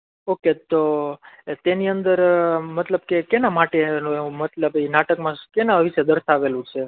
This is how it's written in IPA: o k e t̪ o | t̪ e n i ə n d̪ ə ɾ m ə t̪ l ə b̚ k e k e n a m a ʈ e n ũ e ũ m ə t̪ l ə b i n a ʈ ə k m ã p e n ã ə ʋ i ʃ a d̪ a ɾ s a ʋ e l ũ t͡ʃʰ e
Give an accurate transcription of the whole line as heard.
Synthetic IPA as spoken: o k e t̪ o | t̪ e n i ə n d̪ ə ɾ m ə t̪ l ə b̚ k e k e n a m a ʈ e n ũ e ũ m ə t̪ l ə b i n a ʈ ə k m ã k e n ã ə ʋ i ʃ e d̪ ə ɾ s a ʋ e l ũ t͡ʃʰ e

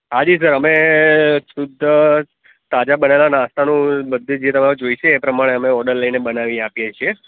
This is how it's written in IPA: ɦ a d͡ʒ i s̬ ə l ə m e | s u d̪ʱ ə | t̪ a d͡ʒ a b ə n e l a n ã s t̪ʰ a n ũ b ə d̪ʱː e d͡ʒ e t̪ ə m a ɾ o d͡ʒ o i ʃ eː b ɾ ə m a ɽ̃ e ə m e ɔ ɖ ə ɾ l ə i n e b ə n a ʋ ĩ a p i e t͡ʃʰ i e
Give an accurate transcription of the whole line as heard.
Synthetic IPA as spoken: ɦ a d͡ʒ i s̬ ə ɾ ə m e | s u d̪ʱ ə | t̪ a d͡ʒ a b ə n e l a n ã s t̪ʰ a n ũ b ə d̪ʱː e d͡ʒ e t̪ ə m a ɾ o d͡ʒ o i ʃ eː p ɾ ə m a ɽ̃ e ə m e ɔ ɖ ə ɾ l ə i n e b ə n a ʋ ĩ a p j e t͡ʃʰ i e

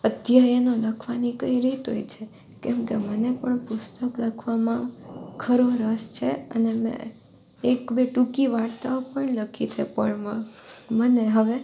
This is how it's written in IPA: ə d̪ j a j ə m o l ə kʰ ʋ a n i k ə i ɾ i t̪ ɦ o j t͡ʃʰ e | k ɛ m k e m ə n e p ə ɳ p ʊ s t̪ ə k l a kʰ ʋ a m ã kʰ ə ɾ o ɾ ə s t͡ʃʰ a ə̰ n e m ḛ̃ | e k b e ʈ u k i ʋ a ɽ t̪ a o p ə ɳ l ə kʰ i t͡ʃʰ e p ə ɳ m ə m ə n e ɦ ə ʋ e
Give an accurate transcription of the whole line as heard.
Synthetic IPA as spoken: ə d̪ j a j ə n o l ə kʰ ʋ a n i k ə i ɾ i t̪ ɦ o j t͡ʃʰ e | k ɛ m k e m ə n e p ə ɳ p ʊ s t̪ ə k l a kʰ ʋ a m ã kʰ ə ɾ o ɾ ə s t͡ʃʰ e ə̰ n e m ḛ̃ | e k b e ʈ u k i ʋ a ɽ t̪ a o p ə ɳ l ə kʰ i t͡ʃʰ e p ə ɳ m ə m ə n e ɦ ə ʋ e

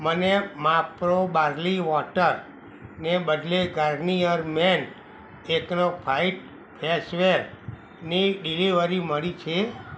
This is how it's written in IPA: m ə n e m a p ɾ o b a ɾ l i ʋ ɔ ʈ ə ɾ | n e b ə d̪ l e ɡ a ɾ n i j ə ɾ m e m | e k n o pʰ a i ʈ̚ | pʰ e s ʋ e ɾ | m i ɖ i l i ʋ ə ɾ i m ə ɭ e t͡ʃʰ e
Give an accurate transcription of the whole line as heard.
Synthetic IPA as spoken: m ə n e m a p ɾ o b a ɾ l i ʋ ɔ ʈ ə ɾ | n e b ə d̪ l e ɡ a ɾ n i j ə ɾ m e n | e k n o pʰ a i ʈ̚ | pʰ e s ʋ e ɾ | n i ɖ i l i ʋ ə ɾ i m ə ɭ i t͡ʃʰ e

